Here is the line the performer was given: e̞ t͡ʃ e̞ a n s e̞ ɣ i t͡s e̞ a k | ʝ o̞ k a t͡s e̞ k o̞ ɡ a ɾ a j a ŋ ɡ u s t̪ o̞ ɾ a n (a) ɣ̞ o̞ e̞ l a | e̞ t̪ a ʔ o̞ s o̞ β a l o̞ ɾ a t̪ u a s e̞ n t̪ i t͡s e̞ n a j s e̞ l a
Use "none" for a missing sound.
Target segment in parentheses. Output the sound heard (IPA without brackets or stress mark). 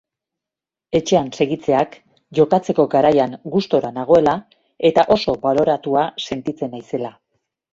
a